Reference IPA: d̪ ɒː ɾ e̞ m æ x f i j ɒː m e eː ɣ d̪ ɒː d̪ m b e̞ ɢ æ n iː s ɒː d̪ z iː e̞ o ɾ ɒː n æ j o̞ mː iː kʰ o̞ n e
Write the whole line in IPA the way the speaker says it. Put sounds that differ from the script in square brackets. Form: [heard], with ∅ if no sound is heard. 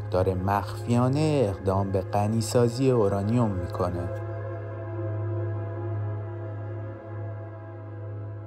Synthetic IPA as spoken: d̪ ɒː ɾ e̞ m æ x f i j ɒː [n] e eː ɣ d̪ ɒː [∅] m b e̞ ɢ æ n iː s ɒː [∅] z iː e̞ o ɾ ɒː n [i] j o̞ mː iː kʰ o̞ n e

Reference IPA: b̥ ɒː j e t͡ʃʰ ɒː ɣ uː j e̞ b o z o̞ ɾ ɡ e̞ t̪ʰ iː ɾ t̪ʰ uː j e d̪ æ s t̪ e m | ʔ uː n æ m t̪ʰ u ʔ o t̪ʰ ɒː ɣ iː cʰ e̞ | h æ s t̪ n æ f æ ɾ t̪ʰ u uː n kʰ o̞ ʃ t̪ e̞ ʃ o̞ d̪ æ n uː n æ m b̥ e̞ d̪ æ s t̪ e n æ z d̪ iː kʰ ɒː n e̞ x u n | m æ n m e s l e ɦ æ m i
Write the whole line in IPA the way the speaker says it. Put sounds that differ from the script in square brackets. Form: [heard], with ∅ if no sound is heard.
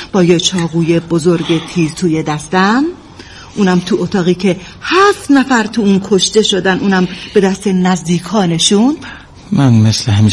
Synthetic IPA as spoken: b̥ ɒː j e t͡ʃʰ ɒː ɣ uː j e̞ b o z o̞ ɾ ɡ e̞ t̪ʰ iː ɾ t̪ʰ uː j e d̪ æ s t̪ [æ] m | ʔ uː n æ m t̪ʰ u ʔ o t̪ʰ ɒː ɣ iː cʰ e̞ | h æ [f] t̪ n æ f æ ɾ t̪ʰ u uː n kʰ o̞ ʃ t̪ e̞ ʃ o̞ d̪ æ n uː n æ m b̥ e̞ d̪ æ s t̪ e n æ z d̪ iː kʰ ɒː n e̞ [ʃ] u n | m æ n m e s l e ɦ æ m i

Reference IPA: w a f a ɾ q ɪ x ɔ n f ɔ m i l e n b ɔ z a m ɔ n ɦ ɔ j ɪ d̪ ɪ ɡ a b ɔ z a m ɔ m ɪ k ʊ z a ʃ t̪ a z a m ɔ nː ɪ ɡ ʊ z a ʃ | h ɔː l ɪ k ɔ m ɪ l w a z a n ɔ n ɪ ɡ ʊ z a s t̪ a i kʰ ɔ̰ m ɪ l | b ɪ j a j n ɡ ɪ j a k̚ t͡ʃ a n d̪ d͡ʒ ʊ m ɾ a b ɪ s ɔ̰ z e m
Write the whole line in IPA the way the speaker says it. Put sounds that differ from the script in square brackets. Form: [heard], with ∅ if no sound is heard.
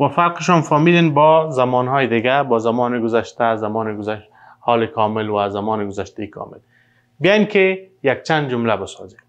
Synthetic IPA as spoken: w a f a ɾ q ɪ [ʃ] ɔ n f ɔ m i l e n b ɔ z a m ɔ n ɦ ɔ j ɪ d̪ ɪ ɡ a b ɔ z a m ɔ [n] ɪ [ɡ] ʊ z a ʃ t̪ a z a m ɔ [n] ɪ ɡ ʊ z a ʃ | h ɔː l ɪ k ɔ m ɪ l w a z a [m] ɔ n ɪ ɡ ʊ z a [ʃ] t̪ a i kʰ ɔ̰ m ɪ l | b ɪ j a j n [k] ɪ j a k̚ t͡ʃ a n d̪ d͡ʒ ʊ m [l] a b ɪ s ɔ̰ z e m

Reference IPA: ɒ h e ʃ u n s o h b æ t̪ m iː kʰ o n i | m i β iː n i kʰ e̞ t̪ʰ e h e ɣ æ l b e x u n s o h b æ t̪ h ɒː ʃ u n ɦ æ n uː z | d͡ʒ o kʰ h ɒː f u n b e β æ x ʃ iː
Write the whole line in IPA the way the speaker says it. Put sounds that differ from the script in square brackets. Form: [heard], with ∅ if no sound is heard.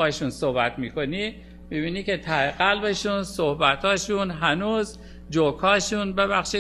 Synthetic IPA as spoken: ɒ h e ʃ u n s o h b æ t̪ m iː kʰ o n i | m i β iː n i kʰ e̞ t̪ʰ [æ] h e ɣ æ l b e [ʃ] u n s o h b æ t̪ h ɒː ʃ u n ɦ æ n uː z | d͡ʒ o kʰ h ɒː [ʃ] u n b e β æ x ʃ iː

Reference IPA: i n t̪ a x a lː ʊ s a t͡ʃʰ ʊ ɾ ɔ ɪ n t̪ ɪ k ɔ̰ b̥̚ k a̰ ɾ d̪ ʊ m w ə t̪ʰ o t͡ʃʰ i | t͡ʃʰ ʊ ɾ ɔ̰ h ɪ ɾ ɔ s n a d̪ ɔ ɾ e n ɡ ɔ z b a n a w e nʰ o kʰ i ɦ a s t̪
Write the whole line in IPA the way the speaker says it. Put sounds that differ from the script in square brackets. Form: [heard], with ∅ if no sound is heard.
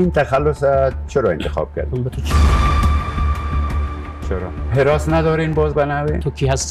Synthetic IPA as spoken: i n t̪ a x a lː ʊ s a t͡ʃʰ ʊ ɾ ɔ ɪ n t̪ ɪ [x] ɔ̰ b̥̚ k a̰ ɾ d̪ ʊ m [b] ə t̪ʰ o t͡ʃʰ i | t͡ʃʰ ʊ ɾ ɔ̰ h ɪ ɾ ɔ s n a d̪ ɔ ɾ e n [b] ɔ z b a n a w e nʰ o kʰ i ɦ a s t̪

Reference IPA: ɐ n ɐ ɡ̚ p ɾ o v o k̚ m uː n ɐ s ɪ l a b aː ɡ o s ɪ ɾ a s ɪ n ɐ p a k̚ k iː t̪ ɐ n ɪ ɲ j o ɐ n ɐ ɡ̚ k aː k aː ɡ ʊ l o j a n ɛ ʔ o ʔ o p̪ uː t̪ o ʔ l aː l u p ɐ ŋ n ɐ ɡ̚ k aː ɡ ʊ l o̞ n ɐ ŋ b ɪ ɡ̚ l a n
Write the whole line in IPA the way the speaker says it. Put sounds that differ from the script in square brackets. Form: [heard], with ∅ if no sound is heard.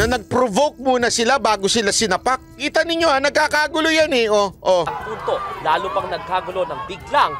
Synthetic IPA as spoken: ɐ n ɐ ɡ̚ p ɾ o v o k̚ m uː n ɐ s ɪ l a b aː ɡ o s ɪ [l] a s ɪ n ɐ p a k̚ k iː t̪ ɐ n ɪ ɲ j o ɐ n ɐ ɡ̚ k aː k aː ɡ ʊ l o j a n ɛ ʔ o ʔ o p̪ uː t̪ o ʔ l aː l u p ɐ ŋ n ɐ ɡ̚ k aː ɡ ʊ l o̞ n ɐ ŋ b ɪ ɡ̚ l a [ŋ]

